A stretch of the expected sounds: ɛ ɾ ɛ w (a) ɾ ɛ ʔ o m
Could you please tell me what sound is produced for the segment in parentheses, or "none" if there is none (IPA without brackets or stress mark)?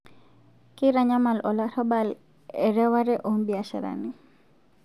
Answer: a